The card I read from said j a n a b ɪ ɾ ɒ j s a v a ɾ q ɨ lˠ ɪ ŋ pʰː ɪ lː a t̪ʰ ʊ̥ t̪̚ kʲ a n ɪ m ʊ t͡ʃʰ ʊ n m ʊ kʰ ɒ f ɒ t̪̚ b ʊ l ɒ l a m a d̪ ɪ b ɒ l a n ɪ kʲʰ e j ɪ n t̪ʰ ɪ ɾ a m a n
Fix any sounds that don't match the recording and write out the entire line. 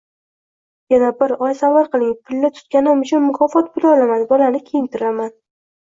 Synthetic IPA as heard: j a n a b ɪ ɾ ɒ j s a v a ɾ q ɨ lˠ ɪ ŋ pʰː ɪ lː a t̪ʰ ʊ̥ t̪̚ kʲ a n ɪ m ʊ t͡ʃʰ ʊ n m ʊ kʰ ɒ f ɒ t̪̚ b ʊ l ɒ l a m a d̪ ɪ b ɒ l a n ɪ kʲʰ e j ɪ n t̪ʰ ɪ ɾ a m a n